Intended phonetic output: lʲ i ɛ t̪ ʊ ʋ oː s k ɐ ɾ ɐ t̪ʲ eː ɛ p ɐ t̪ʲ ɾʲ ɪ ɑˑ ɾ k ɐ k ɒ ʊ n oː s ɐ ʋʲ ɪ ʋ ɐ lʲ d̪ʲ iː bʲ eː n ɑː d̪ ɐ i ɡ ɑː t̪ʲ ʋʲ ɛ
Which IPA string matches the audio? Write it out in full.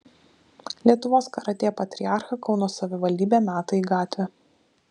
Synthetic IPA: lʲ i ɛ t̪ ʊ ʋ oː s k ɐ ɾ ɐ t̪ʲ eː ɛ p ɐ t̪ʲ ɾʲ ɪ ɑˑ ɾ x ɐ k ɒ ʊ n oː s ɐ ʋʲ ɪ ʋ ɐ lʲ d̪ʲ iː bʲ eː n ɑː t̪ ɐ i ɡ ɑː t̪ʲ ʋʲ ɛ